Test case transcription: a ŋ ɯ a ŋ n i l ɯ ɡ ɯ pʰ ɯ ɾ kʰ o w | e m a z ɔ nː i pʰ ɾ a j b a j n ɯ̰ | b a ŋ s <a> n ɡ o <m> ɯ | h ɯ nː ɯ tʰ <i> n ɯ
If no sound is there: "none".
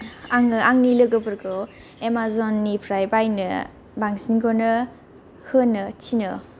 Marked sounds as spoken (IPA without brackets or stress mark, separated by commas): i, n, i